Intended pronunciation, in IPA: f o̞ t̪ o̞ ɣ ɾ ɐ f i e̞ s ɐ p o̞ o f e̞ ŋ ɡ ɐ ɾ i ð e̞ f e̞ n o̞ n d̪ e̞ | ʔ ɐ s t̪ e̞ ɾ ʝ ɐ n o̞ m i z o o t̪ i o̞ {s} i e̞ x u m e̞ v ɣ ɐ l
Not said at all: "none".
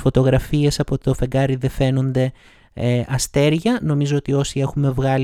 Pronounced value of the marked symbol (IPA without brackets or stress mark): s